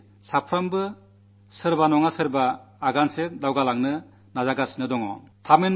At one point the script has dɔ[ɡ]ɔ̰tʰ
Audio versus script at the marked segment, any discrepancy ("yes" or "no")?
yes